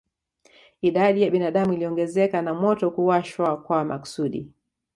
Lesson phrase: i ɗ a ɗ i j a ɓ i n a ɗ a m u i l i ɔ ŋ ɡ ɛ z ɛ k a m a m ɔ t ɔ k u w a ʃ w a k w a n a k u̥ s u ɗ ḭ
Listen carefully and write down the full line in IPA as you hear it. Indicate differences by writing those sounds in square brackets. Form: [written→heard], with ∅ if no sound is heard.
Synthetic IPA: i ɗ a ɗ i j a ɓ i n a ɗ a m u i l i ɔ ŋ ɡ ɛ z ɛ k a [m→n] a m ɔ t ɔ k u w a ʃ w a k w a [n→m] a k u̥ s u ɗ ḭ